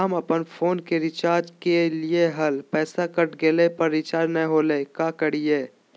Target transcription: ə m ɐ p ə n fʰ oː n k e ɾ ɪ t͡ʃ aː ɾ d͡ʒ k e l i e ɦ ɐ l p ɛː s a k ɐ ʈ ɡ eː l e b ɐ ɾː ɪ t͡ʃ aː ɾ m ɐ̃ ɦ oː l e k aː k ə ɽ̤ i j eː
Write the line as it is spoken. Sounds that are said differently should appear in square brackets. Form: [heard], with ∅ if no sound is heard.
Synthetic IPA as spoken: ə m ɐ p ə n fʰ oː n k e ɾ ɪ t͡ʃ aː ɾ d͡ʒ k e l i e ɦ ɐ l p ɛː s a k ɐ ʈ ɡ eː l e [p] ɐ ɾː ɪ t͡ʃ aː ɾ [n] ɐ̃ ɦ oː l e k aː k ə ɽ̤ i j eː